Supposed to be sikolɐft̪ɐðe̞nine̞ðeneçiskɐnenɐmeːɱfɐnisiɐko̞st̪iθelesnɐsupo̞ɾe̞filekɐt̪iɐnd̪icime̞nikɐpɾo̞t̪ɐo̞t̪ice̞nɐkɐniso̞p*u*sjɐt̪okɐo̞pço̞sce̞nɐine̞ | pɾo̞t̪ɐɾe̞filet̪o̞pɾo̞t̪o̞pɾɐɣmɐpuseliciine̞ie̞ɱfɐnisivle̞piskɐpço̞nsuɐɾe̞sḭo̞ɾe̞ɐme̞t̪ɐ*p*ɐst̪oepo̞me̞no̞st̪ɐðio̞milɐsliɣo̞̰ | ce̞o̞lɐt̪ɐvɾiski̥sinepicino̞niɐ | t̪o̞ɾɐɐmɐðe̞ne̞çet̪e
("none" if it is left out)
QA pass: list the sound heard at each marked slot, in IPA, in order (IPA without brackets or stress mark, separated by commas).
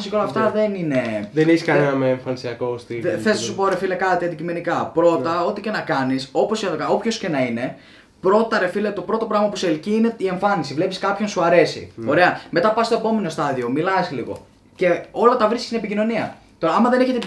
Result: o, p